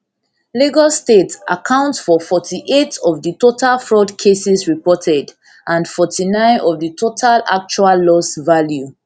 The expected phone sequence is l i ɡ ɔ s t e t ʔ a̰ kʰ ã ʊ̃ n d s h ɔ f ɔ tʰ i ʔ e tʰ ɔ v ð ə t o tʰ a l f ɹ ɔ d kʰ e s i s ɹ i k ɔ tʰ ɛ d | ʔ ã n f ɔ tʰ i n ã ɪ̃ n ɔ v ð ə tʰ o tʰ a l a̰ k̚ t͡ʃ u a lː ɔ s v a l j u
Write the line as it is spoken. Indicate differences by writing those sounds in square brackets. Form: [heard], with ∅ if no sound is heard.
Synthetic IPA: l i ɡ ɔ s t e t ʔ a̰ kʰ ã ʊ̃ n [t] s [f] ɔ f ɔ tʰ i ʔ e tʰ ɔ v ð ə t o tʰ a l f ɹ ɔ d kʰ e s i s ɹ i [p] ɔ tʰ ɛ d | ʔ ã n f ɔ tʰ i n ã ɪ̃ n ɔ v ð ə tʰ o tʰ a l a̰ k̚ t͡ʃ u a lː ɔ s v a l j u